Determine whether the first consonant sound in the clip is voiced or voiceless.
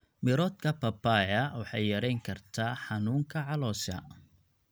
voiced